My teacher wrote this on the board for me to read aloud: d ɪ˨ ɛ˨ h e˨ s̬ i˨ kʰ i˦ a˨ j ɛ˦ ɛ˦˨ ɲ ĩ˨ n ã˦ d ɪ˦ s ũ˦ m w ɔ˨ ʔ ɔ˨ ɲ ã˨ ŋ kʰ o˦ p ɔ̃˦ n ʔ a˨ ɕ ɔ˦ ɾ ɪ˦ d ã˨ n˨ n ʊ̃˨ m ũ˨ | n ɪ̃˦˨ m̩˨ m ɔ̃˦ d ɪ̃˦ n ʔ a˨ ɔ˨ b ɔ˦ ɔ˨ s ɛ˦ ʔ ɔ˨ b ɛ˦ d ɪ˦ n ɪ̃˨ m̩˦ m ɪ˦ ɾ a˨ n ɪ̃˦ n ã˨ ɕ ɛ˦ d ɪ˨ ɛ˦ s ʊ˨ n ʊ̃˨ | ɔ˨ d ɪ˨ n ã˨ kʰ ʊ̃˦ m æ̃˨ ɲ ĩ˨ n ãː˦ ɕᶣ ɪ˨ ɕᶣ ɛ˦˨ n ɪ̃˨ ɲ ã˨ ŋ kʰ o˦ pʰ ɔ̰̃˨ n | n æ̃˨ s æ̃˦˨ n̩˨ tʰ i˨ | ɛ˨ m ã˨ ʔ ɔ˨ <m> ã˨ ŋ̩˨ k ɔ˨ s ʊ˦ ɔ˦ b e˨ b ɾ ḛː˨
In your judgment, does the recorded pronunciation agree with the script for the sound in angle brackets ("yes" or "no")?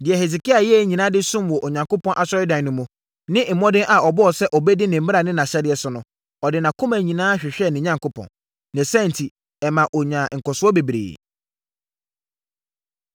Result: no